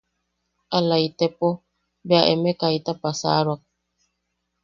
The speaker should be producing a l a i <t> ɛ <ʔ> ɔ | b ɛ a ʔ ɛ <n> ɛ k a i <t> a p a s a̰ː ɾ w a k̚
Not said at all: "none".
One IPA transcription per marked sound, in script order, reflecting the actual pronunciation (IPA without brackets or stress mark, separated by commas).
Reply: t, p, m, t